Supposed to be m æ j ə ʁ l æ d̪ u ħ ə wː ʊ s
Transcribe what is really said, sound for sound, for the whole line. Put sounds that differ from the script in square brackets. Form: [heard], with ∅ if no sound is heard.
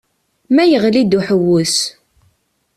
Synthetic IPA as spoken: m æ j ə ʁ l [i] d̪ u ħ ə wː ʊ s